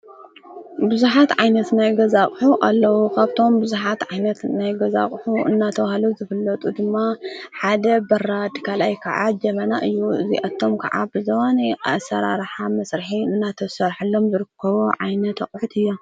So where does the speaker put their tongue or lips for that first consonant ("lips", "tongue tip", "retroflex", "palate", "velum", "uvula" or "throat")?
lips